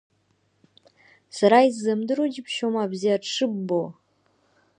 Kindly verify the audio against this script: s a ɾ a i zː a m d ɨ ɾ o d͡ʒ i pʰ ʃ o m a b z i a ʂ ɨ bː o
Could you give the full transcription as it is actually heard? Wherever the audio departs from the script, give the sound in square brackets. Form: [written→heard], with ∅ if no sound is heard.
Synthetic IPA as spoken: s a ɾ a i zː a m d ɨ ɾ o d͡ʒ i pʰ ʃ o m a b z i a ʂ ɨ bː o